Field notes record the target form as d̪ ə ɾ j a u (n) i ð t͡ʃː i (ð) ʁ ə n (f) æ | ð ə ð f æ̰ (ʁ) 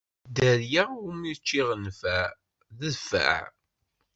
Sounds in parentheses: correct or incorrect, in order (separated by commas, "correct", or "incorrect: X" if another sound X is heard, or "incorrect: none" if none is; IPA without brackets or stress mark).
incorrect: m, incorrect: none, correct, incorrect: ʕ